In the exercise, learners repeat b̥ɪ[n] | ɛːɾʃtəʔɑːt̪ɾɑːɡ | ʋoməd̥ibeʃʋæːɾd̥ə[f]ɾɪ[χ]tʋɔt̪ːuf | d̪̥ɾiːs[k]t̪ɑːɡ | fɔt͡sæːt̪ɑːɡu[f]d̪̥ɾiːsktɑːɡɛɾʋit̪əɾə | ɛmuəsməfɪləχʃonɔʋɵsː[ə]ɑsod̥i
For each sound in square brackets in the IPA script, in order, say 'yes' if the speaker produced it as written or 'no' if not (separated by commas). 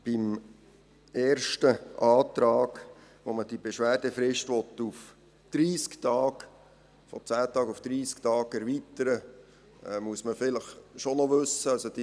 no, yes, no, yes, yes, yes